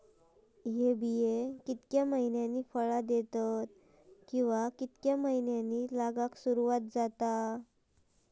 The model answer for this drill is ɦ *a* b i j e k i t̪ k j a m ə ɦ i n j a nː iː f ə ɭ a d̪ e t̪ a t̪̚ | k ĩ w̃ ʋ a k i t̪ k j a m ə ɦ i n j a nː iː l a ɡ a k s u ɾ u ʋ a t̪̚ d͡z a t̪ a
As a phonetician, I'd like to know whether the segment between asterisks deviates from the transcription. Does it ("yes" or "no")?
yes